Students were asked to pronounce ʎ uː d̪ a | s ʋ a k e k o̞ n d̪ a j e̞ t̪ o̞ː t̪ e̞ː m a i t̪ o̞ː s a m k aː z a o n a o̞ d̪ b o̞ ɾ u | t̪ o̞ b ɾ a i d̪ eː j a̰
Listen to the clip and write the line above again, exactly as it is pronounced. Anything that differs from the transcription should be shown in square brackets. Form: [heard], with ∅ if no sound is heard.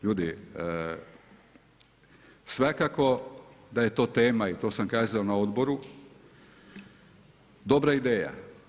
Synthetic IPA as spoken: ʎ uː d̪ [i] | s ʋ a k [a] k o̞ [∅] d̪ a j e̞ t̪ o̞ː t̪ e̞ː m a i t̪ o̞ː s a m k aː z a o n a o̞ d̪ b o̞ ɾ u | [d̪] o̞ b ɾ a i d̪ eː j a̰